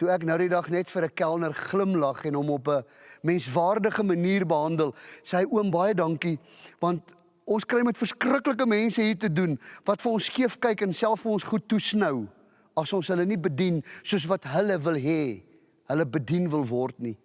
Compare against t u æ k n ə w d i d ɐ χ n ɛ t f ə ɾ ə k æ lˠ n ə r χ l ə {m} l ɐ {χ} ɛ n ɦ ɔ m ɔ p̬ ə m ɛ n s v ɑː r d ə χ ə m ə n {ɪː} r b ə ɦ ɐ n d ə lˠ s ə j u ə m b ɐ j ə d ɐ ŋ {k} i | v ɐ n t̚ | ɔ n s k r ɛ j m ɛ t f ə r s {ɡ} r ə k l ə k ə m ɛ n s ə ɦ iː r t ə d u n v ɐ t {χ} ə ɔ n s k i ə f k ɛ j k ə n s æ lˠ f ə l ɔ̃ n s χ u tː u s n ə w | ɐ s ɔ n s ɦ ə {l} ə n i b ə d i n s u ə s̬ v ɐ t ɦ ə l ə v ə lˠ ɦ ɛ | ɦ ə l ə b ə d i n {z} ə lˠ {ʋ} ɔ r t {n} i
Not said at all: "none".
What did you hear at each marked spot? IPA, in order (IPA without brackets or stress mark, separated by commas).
m, χ, iː, k, k, f, l, v, v, n